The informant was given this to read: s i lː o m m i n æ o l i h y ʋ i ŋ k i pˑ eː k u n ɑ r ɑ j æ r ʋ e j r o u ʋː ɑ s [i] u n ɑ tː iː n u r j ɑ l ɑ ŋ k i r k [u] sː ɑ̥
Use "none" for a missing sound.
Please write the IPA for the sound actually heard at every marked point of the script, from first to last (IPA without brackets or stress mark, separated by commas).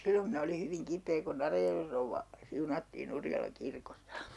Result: i, o